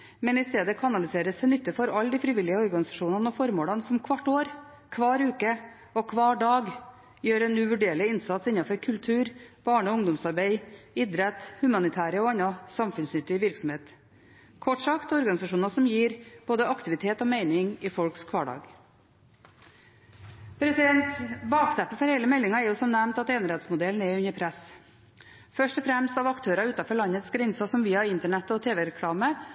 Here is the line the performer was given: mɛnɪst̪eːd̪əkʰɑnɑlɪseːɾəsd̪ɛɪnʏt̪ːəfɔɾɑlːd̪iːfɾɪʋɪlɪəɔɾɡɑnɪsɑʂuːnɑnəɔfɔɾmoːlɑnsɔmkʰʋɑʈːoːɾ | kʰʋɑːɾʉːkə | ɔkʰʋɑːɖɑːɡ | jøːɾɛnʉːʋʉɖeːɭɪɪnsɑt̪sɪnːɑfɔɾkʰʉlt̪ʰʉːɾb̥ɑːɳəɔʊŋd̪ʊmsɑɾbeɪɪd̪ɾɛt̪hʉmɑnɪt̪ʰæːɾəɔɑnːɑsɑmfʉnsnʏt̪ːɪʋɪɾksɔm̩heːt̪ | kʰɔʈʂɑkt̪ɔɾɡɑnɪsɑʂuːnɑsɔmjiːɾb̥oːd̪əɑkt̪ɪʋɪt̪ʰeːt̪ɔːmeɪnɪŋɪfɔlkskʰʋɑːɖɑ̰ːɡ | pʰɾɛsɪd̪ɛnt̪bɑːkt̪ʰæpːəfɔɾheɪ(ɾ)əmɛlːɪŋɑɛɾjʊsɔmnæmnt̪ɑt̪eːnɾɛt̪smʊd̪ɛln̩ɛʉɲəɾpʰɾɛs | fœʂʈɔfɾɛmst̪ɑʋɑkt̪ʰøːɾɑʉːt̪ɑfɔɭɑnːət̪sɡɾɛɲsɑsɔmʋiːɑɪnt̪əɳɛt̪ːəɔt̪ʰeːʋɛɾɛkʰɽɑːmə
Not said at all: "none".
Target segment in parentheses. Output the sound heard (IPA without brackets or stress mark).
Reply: l